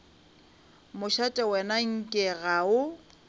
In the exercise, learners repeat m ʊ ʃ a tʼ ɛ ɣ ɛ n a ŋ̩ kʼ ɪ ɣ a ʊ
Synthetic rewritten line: m ʊ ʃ a tʼ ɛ w ɛ n a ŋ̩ kʼ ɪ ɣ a ʊ